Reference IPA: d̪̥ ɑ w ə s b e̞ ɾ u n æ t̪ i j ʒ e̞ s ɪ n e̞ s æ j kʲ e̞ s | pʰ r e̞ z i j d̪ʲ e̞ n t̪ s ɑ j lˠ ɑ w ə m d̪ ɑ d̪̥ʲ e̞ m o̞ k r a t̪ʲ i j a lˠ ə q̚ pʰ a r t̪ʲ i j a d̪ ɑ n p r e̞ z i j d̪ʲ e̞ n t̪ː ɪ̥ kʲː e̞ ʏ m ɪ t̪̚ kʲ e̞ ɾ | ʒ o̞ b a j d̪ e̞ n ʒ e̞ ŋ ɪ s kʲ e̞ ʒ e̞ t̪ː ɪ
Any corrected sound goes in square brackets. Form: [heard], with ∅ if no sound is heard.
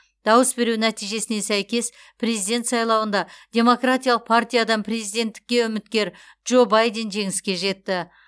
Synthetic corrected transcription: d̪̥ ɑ w ə s b e̞ ɾ u n æ t̪ i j ʒ e̞ s ɪ n e̞ s æ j kʲ e̞ s | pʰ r e̞ z i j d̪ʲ e̞ n t̪ s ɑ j lˠ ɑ w ə [n] d̪ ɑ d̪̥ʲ e̞ m o̞ k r a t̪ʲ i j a lˠ ə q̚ pʰ a r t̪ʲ i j a d̪ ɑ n p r e̞ z i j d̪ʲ e̞ n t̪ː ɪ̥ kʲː e̞ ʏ m ɪ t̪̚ kʲ e̞ ɾ | ʒ o̞ b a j d̪ e̞ n ʒ e̞ ŋ ɪ s kʲ e̞ ʒ e̞ t̪ː ɪ